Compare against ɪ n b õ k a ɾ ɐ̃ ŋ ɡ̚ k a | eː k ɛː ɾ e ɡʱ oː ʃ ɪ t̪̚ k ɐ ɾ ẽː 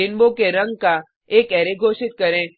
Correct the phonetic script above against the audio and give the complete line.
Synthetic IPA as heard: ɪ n b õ k e ɾ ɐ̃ ŋ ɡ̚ k a | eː k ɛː ɾ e ɡʱ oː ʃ ɪ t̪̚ k ɐ ɾ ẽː